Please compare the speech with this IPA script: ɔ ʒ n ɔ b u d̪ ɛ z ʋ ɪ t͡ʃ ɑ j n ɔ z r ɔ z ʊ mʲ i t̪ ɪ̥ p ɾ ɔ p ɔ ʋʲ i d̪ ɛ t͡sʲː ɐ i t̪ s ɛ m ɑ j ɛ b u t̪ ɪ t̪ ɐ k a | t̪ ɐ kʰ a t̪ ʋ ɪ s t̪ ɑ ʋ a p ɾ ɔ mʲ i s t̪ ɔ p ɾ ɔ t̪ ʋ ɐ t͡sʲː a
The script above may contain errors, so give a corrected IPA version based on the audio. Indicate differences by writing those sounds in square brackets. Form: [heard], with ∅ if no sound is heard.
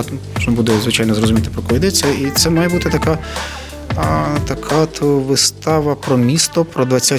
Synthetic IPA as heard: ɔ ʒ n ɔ b u d̪ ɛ z ʋ ɪ t͡ʃ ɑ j n ɔ z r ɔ z ʊ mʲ i t̪ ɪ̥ p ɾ ɔ [k] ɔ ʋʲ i d̪ ɛ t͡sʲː ɐ i t̪ s ɛ m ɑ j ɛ b u t̪ ɪ t̪ ɐ k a | t̪ ɐ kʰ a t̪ ʋ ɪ s t̪ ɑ ʋ [ɐ] p ɾ ɔ mʲ i s t̪ ɔ p ɾ ɔ [d̪] ʋ ɐ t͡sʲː a